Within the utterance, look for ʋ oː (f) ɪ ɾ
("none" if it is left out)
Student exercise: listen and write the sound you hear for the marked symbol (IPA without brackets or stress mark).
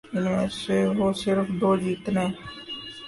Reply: s